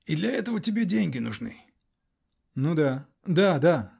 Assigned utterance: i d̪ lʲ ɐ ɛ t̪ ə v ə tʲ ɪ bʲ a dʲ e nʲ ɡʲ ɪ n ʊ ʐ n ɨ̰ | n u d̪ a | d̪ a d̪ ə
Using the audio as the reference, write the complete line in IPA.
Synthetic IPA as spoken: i d̪ lʲ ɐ ɛ t̪ ə v ə tʲ ɪ bʲ e dʲ e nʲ ɡʲ ɪ n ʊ ʐ n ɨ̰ | n u d̪ a | d̪ a d̪ a